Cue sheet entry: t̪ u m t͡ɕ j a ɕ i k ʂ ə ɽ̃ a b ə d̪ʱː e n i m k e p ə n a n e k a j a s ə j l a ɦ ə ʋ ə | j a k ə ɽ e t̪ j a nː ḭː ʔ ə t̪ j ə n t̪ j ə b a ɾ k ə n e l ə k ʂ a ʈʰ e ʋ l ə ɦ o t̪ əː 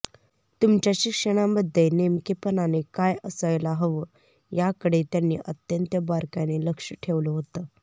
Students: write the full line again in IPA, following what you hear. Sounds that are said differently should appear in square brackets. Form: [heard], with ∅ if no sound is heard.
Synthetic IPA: t̪ u m t͡ɕ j a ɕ i k ʂ ə ɽ̃ a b ə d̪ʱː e n [e] m k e p ə n a n e k a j [ə] s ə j l a ɦ ə ʋ ə | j a k ə ɽ e t̪ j a nː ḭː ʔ ə t̪ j ə n t̪ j ə b a ɾ k [a] n e l ə k ʂ [ə] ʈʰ e ʋ l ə ɦ o t̪ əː